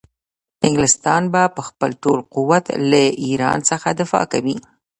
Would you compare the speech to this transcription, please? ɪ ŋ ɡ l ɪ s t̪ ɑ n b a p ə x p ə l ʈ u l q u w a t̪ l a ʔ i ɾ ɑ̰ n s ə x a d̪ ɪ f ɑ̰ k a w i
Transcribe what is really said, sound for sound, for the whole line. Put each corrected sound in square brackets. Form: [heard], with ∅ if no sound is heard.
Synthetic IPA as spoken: ɪ ŋ ɡ l ɪ s t̪ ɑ n b a p ə x p ə l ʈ [o] l q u w a t̪ l a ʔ i ɾ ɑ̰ n s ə x a d̪ ɪ f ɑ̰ k a w i

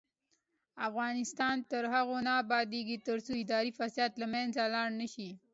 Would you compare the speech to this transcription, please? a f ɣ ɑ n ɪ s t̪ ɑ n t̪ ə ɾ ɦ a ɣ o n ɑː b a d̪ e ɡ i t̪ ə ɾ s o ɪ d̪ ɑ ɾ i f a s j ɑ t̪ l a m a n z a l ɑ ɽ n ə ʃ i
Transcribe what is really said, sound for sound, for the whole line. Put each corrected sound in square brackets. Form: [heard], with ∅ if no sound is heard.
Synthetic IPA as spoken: a f ɣ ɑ n ɪ s t̪ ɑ n t̪ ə ɾ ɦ a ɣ o n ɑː b [ɑ] d̪ e ɡ i t̪ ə ɾ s o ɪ d̪ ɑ ɾ i f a s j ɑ t̪ l a m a n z a l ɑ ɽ n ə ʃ i

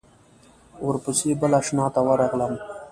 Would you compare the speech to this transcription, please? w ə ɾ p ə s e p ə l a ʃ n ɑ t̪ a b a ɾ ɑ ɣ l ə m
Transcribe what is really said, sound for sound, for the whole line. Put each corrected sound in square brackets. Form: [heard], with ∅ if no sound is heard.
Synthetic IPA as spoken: w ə ɾ p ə s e [b] ə l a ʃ n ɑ t̪ a [w] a ɾ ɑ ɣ l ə m

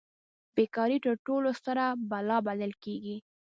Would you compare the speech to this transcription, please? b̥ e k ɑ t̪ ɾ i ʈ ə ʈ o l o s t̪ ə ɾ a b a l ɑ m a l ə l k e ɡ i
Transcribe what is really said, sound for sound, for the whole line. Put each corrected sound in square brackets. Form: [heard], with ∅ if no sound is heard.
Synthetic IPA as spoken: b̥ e k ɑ [∅] ɾ i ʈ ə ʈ o l o s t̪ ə ɾ a b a l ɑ [b] a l ə l k e ɡ i

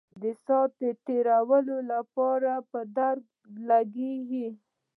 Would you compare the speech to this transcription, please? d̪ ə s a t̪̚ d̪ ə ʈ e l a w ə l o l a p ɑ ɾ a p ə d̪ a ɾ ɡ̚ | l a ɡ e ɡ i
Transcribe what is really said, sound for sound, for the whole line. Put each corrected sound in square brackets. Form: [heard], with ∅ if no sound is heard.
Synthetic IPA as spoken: d̪ ə s [ɑ] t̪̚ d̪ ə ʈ e [ɾ] a w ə l o l a p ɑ ɾ a p ə d̪ a ɾ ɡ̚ | l a ɡ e ɡ i

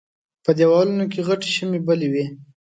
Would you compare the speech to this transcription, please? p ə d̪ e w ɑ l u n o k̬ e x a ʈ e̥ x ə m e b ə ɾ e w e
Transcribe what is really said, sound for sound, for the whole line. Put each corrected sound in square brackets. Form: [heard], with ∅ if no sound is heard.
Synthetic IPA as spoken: p ə d̪ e w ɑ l u n o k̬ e [ɣ] a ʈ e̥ [ʃ] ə m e b ə [l] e w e

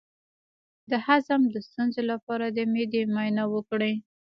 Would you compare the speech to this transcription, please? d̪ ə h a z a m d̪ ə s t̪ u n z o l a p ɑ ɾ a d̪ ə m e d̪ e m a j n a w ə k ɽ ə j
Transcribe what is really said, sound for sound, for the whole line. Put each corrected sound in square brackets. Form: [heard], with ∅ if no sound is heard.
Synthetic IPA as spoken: d̪ ə h a z a m d̪ ə s t̪ u n z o l a p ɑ ɾ a d̪ ə m e d̪ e m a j n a w ə k ɽ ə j

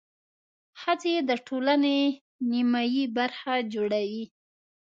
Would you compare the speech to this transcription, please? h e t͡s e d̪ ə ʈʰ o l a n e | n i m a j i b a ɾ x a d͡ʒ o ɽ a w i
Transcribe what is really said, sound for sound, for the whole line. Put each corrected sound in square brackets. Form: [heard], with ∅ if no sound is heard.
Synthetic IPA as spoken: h [a] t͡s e d̪ ə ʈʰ o l a n e | n i m a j i b a ɾ x a d͡ʒ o ɽ a w i

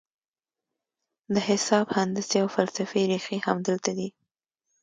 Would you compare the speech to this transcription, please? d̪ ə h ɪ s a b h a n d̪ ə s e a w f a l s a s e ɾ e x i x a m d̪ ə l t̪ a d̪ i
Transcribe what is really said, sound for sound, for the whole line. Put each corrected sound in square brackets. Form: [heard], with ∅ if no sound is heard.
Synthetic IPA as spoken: d̪ ə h ɪ s [ɑ] b h a n d̪ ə s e a w f a l s a [f] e ɾ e x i [h] a m d̪ ə l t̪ a d̪ i

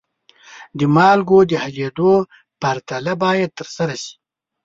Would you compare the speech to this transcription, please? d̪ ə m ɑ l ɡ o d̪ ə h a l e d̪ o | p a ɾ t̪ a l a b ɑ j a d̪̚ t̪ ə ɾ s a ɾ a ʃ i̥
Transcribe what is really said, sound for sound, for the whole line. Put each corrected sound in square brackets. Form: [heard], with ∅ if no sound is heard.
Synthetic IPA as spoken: d̪ ə m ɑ l ɡ o d̪ ə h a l e d̪ o | p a ɾ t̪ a l a b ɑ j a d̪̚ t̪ ə ɾ s a ɾ a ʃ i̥

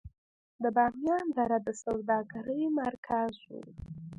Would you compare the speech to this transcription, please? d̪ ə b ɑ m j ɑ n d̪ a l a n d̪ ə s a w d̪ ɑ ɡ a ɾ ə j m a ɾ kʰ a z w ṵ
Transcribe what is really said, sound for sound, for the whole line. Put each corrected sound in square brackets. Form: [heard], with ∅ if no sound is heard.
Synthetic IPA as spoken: d̪ ə b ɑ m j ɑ n d̪ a [ɾ] a [∅] d̪ ə s a w d̪ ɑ ɡ a ɾ ə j m a ɾ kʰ a z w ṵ

